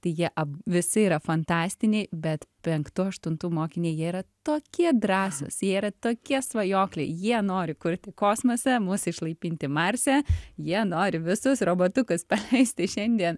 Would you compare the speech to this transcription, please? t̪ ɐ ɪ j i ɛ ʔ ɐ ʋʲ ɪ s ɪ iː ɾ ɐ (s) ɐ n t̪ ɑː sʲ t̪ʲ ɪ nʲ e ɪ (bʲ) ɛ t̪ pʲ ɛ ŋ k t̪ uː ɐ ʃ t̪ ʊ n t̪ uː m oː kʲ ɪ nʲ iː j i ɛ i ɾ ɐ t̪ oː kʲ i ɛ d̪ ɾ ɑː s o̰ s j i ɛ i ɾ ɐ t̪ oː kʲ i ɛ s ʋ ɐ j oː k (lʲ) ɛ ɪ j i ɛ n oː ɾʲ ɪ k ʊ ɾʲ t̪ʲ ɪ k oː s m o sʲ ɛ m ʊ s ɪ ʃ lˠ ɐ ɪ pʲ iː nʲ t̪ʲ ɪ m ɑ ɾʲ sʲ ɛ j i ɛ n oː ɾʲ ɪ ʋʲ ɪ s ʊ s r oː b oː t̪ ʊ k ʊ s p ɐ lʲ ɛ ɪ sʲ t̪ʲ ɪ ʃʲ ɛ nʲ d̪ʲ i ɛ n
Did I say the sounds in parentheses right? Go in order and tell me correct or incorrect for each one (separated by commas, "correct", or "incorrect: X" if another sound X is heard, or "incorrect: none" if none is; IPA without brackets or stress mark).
incorrect: f, correct, correct